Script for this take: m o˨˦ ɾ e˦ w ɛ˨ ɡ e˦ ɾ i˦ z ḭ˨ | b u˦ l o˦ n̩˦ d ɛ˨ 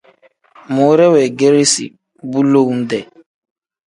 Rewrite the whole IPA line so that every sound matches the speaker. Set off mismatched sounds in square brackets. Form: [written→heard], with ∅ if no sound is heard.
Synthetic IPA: m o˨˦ ɾ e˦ w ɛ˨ ɡ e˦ ɾ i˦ [z→s] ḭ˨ | b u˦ l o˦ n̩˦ d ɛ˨